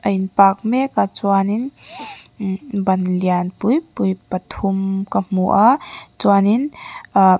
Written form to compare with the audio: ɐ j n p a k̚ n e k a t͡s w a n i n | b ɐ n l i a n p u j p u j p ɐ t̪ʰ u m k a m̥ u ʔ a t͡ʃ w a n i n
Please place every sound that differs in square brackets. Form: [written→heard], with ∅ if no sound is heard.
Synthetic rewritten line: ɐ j n p a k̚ [n→m] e k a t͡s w a n i n | b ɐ n l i a n p u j p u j p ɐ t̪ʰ u m k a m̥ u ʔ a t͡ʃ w a n i n